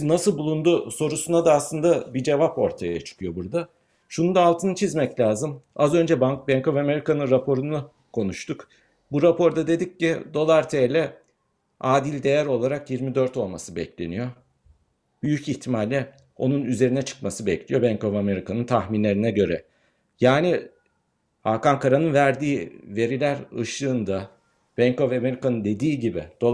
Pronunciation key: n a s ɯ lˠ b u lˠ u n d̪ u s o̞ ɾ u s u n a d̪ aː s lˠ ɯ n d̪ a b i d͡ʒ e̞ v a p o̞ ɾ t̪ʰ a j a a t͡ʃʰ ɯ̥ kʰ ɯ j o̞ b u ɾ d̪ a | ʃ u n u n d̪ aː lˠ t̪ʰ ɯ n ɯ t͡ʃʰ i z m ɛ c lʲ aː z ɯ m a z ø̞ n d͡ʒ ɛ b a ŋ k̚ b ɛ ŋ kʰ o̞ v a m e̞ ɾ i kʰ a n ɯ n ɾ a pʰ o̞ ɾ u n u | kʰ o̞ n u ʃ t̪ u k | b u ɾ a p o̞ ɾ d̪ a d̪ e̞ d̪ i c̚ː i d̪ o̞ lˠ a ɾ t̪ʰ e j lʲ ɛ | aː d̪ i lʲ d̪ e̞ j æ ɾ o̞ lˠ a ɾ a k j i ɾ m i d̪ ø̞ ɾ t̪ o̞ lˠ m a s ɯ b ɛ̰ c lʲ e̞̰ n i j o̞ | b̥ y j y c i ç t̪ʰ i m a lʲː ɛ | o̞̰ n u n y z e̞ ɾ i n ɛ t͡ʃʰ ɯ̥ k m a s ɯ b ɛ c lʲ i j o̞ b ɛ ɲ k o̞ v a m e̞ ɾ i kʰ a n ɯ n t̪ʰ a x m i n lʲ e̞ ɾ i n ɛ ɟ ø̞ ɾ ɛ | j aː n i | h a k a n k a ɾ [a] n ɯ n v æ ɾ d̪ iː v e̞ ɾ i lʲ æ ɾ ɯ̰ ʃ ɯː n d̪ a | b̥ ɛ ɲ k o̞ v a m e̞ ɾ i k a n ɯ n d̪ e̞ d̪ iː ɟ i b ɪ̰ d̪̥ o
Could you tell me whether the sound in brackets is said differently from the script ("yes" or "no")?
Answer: no